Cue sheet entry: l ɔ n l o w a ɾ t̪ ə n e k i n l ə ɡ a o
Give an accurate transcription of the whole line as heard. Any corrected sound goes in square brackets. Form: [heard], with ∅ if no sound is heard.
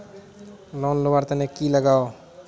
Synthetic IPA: l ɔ n l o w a ɾ t̪ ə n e k i [∅] l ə ɡ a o